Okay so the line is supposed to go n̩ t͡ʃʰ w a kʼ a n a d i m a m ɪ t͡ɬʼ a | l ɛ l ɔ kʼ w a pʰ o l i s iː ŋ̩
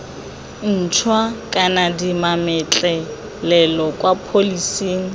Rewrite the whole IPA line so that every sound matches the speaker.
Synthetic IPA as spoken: n̩ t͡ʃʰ w a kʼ a n a d i m a m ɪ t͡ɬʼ ɛ | l ɛ l ɔ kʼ w a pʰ o l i s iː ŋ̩